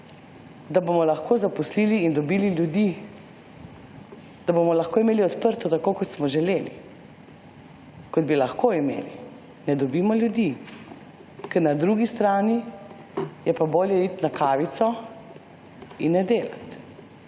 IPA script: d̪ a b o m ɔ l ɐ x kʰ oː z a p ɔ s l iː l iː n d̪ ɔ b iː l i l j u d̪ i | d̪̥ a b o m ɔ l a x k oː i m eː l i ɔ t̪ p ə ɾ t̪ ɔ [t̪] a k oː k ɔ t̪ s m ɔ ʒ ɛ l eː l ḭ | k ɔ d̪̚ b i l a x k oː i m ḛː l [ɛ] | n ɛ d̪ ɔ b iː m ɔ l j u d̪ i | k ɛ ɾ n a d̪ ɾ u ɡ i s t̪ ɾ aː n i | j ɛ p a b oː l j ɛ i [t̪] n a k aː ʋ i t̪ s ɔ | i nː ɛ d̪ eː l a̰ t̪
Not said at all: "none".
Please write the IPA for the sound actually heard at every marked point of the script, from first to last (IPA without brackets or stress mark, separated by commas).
t̪, i, t̪